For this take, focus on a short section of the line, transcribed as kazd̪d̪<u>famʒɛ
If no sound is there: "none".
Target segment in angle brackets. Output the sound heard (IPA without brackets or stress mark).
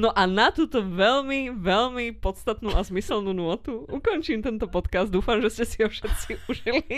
uː